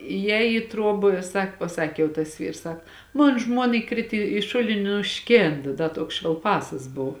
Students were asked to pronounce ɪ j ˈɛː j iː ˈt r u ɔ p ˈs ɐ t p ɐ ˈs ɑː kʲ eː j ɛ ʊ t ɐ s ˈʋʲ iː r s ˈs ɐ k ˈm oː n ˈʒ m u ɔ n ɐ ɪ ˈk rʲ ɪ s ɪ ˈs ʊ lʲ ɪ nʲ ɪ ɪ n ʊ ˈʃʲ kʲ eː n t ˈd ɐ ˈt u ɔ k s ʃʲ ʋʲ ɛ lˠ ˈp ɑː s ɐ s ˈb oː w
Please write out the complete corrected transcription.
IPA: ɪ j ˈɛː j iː ˈt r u ɔ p ˈs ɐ k p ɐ ˈs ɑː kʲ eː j ɛ ʊ t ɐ s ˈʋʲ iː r s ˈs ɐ k ˈm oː n ˈʒ m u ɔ n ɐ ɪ ˈk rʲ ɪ t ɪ ˈʃ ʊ lʲ ɪ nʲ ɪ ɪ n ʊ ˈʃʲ kʲ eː n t ˈd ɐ ˈt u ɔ k s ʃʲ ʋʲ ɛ lˠ ˈp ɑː s ɐ s ˈb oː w

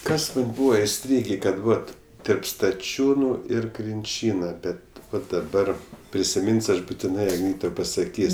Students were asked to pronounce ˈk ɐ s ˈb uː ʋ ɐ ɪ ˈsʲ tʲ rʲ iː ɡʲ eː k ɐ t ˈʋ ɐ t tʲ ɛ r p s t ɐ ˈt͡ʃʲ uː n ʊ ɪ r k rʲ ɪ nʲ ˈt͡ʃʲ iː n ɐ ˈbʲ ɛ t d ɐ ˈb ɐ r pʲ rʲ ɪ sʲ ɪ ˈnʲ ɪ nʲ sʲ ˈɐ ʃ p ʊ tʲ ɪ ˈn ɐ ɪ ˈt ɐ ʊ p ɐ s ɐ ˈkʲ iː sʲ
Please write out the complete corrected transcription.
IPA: ˈk ɐ s ˈb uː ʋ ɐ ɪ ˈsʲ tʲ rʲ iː ɡʲ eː k ɐ t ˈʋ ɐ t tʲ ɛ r p s t ɐ ˈt͡ʃʲ uː n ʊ ɪ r k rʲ ɪ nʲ ˈt͡ʃʲ iː n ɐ ˈbʲ ɛ t d ɐ ˈb ɐ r pʲ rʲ ɪ sʲ ɪ ˈmʲ ɪ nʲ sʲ ˈɐ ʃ b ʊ tʲ ɪ ˈn ɐ ɪ ˈt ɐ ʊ p ɐ s ɐ ˈkʲ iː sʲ

